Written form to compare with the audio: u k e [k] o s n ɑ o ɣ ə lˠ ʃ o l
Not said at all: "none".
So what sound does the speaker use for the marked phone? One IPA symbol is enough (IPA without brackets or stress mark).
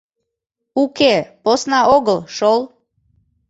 p